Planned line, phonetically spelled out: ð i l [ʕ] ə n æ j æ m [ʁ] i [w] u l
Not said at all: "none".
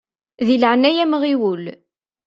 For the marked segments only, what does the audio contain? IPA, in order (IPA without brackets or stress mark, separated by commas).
ʕ, ʁ, w